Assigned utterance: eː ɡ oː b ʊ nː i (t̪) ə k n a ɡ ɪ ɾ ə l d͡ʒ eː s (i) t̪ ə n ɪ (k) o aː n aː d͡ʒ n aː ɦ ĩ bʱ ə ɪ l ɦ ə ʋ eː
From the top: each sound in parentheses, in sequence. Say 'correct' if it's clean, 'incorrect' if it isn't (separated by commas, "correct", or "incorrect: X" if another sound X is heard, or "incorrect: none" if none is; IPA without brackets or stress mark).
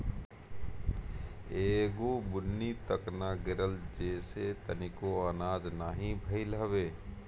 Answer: correct, incorrect: e, correct